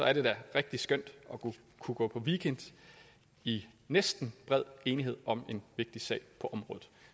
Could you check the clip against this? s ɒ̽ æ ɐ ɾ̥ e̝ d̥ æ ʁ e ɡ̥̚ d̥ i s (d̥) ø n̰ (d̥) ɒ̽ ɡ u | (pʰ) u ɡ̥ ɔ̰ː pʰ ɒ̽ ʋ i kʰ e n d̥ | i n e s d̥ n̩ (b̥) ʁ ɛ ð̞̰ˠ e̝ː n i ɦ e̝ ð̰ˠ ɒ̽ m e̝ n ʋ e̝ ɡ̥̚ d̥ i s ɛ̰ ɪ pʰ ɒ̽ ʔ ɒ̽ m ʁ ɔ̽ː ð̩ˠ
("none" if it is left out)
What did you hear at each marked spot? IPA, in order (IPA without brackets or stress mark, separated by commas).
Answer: ɡ̥, d̥, kʰ, b̥